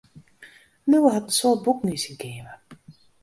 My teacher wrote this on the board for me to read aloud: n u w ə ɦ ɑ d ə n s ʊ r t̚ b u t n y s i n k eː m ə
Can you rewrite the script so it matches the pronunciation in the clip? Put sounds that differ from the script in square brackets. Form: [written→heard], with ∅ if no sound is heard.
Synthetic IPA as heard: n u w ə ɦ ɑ [d→t] ə n s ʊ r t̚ b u [t→k] n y s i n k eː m ə